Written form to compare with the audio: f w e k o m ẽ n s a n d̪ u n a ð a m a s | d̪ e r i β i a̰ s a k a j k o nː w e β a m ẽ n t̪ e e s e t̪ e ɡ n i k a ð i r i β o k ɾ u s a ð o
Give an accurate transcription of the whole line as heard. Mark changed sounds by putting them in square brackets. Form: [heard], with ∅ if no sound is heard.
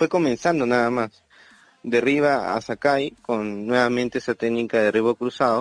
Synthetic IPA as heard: f w e k o m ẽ n s a n d̪ [o] n a ð a m a s | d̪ e r i β [a] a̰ s a k a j k o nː w e β a m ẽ n t̪ e e s [a] t̪ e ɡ n i k a ð [e] r i β o k ɾ u s a ð o